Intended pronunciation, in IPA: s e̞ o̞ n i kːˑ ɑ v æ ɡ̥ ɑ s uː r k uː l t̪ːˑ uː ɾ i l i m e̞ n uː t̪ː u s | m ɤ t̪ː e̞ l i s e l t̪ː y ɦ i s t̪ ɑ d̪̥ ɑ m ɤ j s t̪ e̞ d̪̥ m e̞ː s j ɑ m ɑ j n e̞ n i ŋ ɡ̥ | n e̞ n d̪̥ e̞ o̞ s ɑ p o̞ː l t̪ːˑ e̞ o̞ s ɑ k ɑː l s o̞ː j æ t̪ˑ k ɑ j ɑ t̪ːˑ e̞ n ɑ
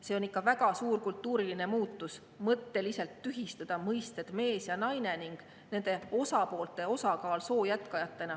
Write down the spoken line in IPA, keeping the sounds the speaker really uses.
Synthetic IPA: s e̞ o̞ n i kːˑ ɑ v æ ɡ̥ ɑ s uː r k u l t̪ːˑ uː ɾ i l i n e̞ m uː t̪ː u s | m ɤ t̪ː e̞ l i s e l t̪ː y ɦ i s t̪ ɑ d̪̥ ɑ m ɤ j s t̪ e̞ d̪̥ m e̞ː s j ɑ n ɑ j n e̞ n i ŋ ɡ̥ | n e̞ n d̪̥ e̞ o̞ s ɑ p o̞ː l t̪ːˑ e̞ o̞ s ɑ k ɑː l s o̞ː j æ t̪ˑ k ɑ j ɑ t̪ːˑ e̞ n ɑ

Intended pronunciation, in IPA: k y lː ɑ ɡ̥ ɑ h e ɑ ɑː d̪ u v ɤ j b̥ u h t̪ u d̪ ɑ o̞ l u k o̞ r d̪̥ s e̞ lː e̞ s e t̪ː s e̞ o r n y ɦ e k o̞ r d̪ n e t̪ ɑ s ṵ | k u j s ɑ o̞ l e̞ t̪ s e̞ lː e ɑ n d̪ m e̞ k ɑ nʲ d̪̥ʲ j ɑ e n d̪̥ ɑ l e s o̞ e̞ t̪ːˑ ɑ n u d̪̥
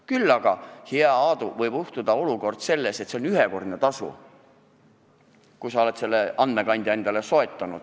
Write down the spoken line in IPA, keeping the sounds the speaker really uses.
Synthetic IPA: k y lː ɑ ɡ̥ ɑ h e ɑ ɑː d̪ u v ɤ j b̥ u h t̪ u d̪ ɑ o̞ l u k o̞ r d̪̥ s e̞ lː e̞ s e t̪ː s e̞ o n y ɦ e k o̞ r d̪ n e t̪ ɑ s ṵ | k u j s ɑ o̞ l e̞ t̪ s e̞ lː e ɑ n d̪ m e̞ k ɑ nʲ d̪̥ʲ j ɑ e n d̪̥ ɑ l e s o̞ e̞ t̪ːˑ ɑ n u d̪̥

